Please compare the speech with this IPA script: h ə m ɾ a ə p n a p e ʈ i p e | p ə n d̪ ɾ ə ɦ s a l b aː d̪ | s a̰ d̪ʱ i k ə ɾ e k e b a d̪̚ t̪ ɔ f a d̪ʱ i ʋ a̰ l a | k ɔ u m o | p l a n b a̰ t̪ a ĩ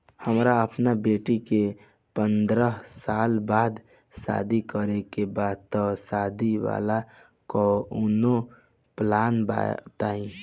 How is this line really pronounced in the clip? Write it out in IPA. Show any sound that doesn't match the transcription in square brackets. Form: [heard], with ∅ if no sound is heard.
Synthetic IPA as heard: h ə m ɾ a ə p n a [b] e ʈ i [k] e | p ə n d̪ ɾ ə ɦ s a l b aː d̪ | s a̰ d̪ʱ i k ə ɾ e k e b a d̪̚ t̪ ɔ [s] a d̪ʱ i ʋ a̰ l a | k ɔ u [n] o | p l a n b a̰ t̪ a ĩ